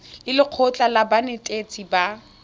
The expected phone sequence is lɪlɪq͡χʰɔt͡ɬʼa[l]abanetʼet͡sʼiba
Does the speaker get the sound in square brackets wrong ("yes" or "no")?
no